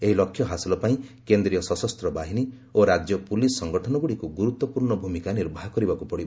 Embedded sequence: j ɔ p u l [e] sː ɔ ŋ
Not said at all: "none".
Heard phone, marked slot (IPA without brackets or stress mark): i